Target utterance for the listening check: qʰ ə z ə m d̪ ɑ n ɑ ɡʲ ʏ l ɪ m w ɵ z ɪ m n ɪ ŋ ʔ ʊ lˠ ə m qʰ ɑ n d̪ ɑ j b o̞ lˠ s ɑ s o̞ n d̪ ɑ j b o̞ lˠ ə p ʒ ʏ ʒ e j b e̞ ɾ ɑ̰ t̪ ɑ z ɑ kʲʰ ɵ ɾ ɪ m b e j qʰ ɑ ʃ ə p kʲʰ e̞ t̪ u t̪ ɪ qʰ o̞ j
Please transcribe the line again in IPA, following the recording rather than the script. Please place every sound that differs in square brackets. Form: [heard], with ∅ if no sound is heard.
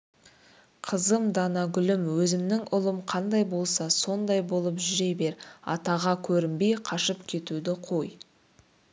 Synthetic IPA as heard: qʰ ə z ə m d̪ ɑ n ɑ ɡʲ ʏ l ɪ m w ɵ z ɪ m n ɪ ŋ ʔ ʊ lˠ ə m qʰ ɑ n d̪ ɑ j b o̞ lˠ s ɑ s o̞ n d̪ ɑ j b o̞ lˠ ə p ʒ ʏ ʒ e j b e̞ ɾ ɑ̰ t̪ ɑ [ʁ] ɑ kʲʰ ɵ ɾ ɪ m b e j qʰ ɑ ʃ ə p kʲʰ e̞ t̪ u [d̪] ɪ qʰ o̞ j